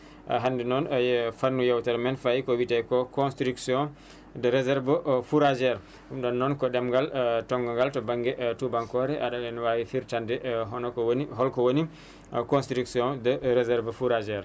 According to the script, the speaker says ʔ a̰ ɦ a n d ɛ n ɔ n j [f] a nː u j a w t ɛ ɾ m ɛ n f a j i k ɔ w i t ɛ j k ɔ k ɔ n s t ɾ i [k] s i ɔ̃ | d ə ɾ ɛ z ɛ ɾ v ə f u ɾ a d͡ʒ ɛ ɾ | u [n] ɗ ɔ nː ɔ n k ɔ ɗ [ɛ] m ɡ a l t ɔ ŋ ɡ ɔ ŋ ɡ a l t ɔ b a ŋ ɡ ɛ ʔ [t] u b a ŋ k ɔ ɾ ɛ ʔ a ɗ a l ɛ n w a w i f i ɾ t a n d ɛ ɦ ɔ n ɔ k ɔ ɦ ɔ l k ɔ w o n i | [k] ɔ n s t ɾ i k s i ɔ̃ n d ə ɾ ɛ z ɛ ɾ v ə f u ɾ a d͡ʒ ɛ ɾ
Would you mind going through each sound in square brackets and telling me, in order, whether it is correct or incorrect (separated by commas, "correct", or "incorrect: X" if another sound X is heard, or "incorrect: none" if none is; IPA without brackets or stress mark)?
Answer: correct, correct, incorrect: m, correct, correct, correct